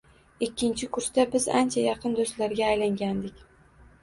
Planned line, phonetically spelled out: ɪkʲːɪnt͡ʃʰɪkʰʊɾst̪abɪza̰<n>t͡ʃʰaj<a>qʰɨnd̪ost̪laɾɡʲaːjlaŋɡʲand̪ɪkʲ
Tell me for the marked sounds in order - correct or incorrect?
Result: correct, incorrect: ɑ

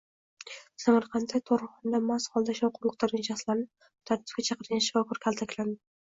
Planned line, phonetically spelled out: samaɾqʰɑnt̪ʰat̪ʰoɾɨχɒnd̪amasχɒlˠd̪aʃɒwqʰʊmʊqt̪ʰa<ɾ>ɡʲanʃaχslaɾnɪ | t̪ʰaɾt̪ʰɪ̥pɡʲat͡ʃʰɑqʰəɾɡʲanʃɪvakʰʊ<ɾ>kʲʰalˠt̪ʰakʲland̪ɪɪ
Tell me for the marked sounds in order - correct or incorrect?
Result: correct, correct

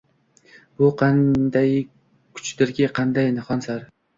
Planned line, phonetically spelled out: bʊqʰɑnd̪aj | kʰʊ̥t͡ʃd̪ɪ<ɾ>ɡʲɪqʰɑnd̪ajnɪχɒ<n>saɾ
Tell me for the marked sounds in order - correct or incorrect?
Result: correct, correct

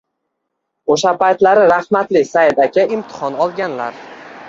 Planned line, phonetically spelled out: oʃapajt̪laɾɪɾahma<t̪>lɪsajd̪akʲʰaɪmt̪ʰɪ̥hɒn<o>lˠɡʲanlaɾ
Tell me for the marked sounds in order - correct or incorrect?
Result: correct, incorrect: ɒ

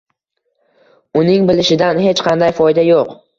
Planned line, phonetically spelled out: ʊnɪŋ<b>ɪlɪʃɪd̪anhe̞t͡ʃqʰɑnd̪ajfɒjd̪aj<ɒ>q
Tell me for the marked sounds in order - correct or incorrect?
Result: correct, incorrect: o

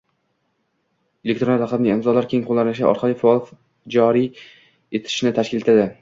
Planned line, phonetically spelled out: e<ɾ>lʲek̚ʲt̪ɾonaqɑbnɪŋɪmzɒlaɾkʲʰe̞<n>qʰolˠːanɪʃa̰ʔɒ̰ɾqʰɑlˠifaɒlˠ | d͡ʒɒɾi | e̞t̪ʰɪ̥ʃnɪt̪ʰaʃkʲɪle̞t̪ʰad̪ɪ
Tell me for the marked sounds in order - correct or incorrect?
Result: incorrect: none, incorrect: ŋ

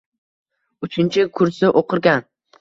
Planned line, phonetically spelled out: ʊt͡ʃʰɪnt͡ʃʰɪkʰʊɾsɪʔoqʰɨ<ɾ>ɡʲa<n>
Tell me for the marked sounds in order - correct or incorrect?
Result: correct, correct

